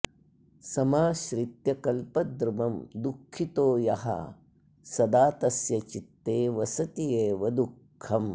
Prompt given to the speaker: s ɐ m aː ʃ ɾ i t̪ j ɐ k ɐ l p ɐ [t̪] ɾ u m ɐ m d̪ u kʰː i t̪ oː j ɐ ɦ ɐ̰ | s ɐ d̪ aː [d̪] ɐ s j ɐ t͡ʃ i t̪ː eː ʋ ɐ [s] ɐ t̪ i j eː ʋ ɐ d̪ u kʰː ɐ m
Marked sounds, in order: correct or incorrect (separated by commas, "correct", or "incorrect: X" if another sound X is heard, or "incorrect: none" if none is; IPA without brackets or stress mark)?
incorrect: d̪, incorrect: t̪, correct